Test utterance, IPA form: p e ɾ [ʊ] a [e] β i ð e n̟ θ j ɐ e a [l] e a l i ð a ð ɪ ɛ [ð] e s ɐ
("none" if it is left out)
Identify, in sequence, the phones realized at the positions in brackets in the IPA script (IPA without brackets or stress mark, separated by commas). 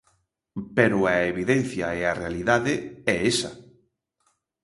ʊ, e, r, none